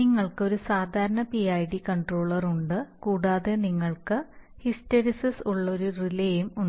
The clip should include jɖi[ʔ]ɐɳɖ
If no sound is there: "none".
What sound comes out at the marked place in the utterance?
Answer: k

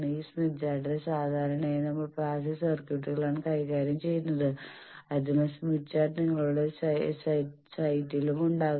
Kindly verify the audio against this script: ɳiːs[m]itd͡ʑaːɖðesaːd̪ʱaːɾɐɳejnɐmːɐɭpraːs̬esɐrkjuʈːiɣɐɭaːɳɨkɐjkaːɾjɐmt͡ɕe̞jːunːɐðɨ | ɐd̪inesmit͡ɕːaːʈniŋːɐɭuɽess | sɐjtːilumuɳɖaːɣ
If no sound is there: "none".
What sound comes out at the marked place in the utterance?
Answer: m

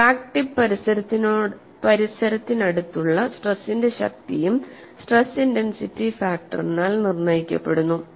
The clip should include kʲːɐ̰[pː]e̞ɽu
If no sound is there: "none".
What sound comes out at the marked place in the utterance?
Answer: pː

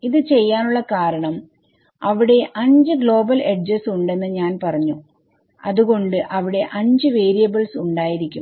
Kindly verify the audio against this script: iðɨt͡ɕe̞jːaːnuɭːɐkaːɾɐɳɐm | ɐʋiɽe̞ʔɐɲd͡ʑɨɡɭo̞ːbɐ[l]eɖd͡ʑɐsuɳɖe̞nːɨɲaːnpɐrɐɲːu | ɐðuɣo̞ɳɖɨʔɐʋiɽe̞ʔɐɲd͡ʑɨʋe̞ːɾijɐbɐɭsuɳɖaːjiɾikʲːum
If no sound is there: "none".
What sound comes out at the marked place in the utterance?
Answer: l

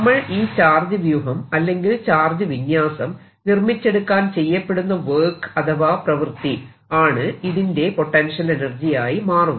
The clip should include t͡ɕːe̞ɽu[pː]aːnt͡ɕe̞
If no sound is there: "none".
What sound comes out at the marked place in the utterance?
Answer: kː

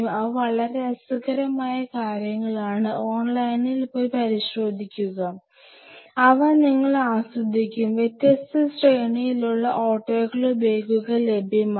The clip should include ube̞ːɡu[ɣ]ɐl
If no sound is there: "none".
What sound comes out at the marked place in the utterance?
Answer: ɣ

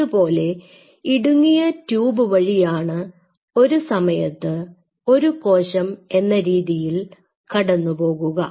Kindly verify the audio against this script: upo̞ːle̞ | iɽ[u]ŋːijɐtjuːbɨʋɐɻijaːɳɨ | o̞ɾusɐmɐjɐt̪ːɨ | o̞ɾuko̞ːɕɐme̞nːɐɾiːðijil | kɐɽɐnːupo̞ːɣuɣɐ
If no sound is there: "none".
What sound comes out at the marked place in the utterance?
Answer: u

